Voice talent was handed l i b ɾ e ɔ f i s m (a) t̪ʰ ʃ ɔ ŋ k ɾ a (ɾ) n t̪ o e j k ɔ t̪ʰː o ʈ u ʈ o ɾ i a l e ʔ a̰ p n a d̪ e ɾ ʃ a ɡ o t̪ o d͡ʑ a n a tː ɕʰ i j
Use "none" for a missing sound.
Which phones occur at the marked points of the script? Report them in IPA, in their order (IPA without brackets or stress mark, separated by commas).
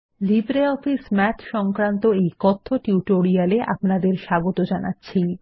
ɛ, none